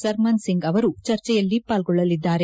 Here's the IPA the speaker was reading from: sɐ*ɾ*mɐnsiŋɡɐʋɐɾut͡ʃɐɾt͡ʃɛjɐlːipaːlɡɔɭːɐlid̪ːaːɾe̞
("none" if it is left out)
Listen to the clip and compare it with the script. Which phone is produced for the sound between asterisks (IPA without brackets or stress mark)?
ɾ